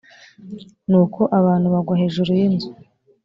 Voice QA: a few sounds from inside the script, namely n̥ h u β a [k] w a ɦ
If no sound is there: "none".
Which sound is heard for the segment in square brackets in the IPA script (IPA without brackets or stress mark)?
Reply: ɡ